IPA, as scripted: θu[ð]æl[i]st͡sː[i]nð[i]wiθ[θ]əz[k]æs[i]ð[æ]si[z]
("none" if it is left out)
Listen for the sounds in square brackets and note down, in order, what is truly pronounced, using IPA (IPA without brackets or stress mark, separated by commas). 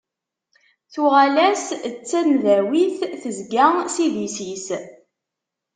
ʁ, æ, æ, æ, θ, ɡ, i, i, s